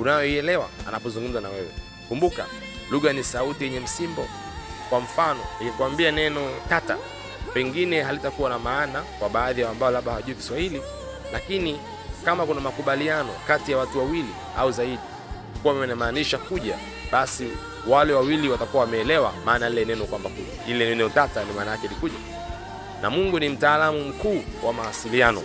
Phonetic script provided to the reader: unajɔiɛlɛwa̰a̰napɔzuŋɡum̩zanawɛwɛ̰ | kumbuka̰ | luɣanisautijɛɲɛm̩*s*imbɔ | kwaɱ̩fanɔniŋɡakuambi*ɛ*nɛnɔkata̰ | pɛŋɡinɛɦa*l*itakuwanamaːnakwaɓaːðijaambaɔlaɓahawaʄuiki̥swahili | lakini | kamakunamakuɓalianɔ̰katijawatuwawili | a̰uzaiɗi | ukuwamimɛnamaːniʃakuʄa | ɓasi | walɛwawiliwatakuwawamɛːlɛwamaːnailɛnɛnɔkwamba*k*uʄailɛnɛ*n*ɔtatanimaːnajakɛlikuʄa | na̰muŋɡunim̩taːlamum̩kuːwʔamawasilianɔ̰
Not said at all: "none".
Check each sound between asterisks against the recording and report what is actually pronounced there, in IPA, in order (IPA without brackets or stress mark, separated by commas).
s, a, l, k, n